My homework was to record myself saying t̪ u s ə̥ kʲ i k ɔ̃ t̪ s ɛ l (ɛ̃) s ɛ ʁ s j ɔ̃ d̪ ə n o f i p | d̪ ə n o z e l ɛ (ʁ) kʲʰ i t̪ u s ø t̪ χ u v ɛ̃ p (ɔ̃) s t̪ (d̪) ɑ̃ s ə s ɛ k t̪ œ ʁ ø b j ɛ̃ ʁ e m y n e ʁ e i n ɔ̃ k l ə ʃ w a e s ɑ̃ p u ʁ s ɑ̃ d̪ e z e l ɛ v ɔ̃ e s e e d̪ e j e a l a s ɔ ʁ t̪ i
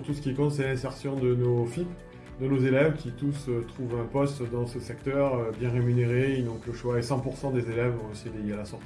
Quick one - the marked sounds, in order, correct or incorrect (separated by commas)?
correct, incorrect, incorrect, correct